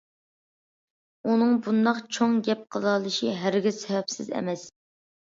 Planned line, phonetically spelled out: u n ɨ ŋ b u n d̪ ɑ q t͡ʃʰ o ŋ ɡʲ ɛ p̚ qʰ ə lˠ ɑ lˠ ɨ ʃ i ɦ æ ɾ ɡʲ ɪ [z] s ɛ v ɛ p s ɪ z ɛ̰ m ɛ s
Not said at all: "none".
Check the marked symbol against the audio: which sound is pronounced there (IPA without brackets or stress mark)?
z